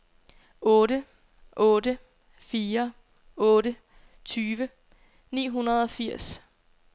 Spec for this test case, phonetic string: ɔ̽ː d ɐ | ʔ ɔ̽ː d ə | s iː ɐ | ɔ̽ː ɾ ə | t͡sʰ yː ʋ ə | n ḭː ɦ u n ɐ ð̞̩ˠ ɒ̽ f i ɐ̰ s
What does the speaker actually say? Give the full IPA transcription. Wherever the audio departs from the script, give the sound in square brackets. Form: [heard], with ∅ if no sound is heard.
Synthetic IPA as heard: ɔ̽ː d [ə] | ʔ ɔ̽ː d ə | [f] iː ɐ | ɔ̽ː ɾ ə | t͡sʰ yː ʋ ə | n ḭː ɦ u n ɐ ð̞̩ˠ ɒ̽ f i ɐ̰ s